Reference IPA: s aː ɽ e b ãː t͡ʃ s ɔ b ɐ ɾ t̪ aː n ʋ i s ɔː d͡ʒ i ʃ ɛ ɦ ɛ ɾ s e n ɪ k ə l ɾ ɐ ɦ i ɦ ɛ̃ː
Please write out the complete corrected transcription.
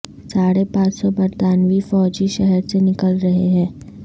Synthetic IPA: s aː ɽ e p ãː t͡ʃ s ɔ b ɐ ɾ t̪ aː n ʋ i f ɔː d͡ʒ i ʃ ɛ ɦ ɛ ɾ s e n ɪ k ə l ɾ ɐ ɦ e ɦ ɛ̃ː